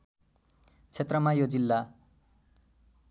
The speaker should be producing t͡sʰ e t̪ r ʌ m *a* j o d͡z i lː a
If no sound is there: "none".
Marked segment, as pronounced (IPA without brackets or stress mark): a